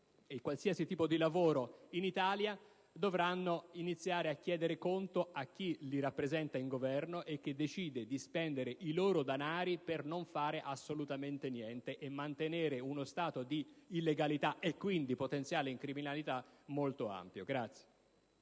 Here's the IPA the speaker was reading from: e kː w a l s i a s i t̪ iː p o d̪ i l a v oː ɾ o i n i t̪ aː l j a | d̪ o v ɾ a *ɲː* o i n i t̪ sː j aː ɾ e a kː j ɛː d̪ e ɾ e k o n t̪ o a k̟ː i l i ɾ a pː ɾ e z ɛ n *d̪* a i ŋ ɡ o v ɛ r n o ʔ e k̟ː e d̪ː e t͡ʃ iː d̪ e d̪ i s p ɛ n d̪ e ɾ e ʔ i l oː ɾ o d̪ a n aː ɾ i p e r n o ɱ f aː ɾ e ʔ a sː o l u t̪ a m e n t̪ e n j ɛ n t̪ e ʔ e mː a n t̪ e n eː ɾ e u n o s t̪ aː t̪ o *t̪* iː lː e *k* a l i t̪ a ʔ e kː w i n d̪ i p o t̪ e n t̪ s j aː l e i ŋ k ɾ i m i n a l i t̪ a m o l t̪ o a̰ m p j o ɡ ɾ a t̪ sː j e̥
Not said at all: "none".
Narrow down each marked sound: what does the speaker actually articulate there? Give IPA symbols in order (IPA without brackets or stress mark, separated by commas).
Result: nː, t̪, d̪, ɡ